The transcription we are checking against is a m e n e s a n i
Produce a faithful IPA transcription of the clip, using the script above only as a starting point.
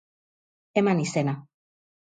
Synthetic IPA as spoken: e m a n i s e n a